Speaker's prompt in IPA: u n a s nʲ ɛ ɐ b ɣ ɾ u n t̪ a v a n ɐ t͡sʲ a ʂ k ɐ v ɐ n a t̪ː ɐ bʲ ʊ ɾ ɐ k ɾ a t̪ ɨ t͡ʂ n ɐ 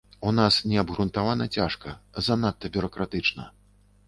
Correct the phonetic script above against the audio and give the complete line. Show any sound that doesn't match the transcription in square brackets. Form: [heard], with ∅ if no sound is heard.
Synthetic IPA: u n a s nʲ ɛ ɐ b ɣ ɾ u n t̪ a v a n ɐ t͡sʲ a ʂ k ɐ [z] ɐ n a t̪ː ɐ bʲ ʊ ɾ ɐ k ɾ a t̪ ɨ t͡ʂ n ɐ

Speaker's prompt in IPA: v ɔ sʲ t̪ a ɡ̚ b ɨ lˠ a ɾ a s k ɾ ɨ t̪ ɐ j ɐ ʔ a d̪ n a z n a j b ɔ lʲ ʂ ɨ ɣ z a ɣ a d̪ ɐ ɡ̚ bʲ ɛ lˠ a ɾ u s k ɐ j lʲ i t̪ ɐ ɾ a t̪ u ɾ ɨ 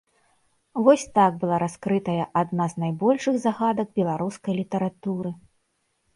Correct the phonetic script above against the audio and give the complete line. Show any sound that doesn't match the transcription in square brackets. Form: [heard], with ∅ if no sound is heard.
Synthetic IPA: v ɔ sʲ t̪ a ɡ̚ b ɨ lˠ a ɾ a s k ɾ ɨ t̪ ɐ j ɐ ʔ a d̪ n a z n a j b ɔ lʲ ʂ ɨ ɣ z a ɣ a d̪ ɐ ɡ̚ bʲ ɛ lˠ a ɾ u s k ɐ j lʲ i t̪ ɐ ɾ a t̪ u ɾ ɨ

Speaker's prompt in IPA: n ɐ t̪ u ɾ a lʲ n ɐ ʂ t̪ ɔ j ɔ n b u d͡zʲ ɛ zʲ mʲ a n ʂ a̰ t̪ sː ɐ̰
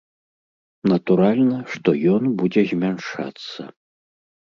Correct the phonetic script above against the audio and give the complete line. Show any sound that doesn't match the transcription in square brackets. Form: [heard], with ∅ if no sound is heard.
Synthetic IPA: n ɐ t̪ u ɾ a lʲ n ɐ ʂ t̪ ɔ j ɔ n b u d͡zʲ ɛ zʲ mʲ a n ʂ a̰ t̪ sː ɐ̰

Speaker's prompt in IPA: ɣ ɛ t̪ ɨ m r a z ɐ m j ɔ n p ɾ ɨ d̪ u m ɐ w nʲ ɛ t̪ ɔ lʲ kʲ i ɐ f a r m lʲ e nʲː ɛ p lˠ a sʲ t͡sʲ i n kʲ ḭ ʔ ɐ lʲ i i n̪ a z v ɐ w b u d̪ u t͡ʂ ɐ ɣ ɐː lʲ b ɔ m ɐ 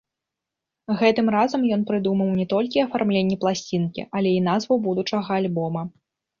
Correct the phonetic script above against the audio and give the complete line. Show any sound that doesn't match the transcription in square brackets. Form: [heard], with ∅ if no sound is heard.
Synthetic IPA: ɣ ɛ t̪ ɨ m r a z ɐ m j ɔ n p ɾ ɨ d̪ u m ɐ w nʲ ɛ t̪ ɔ lʲ kʲ i ɐ f a r m lʲ e nʲː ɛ p lˠ a sʲ t͡sʲ i n kʲ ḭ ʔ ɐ lʲ [ɛ] i n̪ a z v ɐ w b u d̪ u t͡ʂ ɐ ɣ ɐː lʲ b ɔ m ɐ

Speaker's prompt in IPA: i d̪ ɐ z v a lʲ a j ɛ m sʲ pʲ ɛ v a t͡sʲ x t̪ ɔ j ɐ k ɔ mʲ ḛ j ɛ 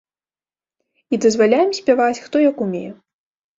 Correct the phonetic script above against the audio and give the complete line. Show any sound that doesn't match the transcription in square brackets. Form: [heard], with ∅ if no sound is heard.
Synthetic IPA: i d̪ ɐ z v a lʲ a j ɛ m sʲ pʲ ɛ v a t͡sʲ x t̪ ɔ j ɐ k [u] mʲ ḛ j ɛ

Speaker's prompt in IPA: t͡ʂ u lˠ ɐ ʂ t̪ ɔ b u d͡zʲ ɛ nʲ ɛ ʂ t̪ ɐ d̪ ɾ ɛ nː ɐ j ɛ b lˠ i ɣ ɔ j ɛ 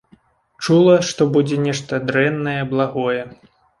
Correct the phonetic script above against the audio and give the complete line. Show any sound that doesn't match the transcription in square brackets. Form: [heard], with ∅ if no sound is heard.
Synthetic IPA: t͡ʂ u lˠ ɐ ʂ t̪ ɔ b u d͡zʲ ɛ nʲ ɛ ʂ t̪ ɐ d̪ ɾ ɛ nː ɐ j ɛ b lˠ [a] ɣ ɔ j ɛ

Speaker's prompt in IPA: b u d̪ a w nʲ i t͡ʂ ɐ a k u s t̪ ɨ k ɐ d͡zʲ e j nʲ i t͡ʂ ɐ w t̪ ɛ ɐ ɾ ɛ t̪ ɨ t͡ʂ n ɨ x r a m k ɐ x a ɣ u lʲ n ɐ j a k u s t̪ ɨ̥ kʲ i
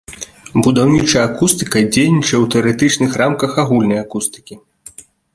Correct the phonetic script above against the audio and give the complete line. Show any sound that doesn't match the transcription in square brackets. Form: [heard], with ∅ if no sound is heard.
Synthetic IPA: b u d̪ a w nʲ i t͡ʂ ɐ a k u s t̪ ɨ k ɐ d͡zʲ e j nʲ i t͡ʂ ɐ w t̪ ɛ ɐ ɾ ɛ t̪ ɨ t͡ʂ n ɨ x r a m k ɐ x a ɣ u lʲ n ɐ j a k u s t̪ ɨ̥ kʲ i

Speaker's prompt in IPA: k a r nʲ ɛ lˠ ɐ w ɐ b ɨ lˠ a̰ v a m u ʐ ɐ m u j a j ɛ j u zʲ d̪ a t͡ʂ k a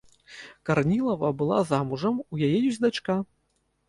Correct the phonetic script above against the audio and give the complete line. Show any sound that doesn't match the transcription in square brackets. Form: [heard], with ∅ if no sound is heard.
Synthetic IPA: k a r nʲ [i] lˠ ɐ [v] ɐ b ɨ lˠ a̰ [z] a m u ʐ ɐ m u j a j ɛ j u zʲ d̪ a t͡ʂ k a

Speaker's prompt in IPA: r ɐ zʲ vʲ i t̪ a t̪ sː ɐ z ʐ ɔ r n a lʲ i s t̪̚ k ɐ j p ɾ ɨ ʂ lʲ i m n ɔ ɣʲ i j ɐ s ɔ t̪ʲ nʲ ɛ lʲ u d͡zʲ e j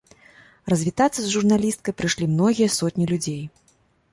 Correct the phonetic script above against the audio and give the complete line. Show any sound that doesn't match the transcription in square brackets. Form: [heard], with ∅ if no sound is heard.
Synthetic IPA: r ɐ zʲ vʲ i t̪ a t̪ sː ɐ z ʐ [u] r n a lʲ i s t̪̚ k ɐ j p ɾ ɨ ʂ lʲ i m n ɔ ɣʲ i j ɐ s ɔ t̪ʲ nʲ [i] lʲ u d͡zʲ e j

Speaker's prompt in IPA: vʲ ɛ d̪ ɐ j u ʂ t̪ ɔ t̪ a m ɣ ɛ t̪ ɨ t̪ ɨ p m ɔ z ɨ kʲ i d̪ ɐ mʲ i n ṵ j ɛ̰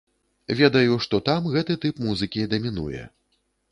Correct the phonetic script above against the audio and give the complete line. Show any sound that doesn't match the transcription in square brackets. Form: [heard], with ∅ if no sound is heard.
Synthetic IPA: vʲ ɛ d̪ ɐ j u ʂ t̪ ɔ t̪ a m ɣ ɛ t̪ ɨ t̪ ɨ p m [u] z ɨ kʲ i d̪ ɐ mʲ i n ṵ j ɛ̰

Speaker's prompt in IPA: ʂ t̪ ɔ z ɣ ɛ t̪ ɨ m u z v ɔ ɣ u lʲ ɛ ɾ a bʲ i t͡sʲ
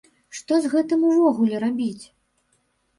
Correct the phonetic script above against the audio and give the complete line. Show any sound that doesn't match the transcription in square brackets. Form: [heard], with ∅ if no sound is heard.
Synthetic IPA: ʂ t̪ ɔ z ɣ ɛ t̪ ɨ m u [∅] v ɔ ɣ u lʲ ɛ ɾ a bʲ i t͡sʲ

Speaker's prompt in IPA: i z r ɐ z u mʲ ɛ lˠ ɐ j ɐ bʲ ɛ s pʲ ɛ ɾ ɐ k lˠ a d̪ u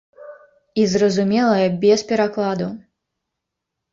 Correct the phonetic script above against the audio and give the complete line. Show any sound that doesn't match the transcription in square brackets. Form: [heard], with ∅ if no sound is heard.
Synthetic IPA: i z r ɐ z u mʲ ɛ lˠ ɐ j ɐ bʲ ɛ s pʲ ɛ ɾ [a] k lˠ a d̪ u

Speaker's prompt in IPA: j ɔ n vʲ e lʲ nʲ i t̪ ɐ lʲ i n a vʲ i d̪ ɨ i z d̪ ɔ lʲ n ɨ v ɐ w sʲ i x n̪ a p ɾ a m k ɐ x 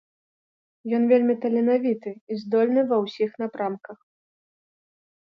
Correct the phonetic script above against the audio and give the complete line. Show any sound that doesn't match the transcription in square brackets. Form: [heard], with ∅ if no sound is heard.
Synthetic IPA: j ɔ n vʲ e lʲ [mʲ] i t̪ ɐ lʲ [ɛ] n a vʲ i [t̪] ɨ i z d̪ ɔ lʲ n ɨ v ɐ w sʲ i x n̪ a p ɾ a m k ɐ x

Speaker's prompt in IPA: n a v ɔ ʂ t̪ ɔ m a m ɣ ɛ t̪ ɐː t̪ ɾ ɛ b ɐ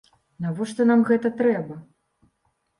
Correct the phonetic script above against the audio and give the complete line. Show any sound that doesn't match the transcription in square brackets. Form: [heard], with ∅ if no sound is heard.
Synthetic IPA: n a v ɔ ʂ t̪ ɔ [n] a m ɣ ɛ t̪ [ɐ] t̪ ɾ ɛ b ɐ

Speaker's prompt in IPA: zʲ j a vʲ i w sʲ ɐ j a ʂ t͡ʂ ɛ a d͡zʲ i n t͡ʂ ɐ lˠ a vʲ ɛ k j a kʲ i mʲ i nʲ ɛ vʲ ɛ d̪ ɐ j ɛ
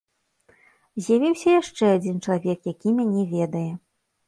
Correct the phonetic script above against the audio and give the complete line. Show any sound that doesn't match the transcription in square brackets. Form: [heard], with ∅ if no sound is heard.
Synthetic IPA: zʲ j a vʲ i w sʲ ɐ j a ʂ t͡ʂ ɛ a d͡zʲ i n t͡ʂ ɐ lˠ a vʲ ɛ k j a kʲ i mʲ [a] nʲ ɛ vʲ ɛ d̪ ɐ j ɛ

